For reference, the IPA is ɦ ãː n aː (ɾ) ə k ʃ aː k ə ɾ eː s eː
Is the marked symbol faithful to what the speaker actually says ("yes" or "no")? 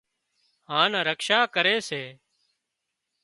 yes